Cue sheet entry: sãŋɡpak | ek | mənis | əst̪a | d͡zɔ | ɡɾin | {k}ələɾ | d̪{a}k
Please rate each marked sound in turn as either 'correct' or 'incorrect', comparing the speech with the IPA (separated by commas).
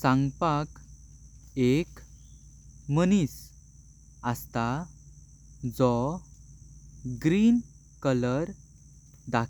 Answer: correct, correct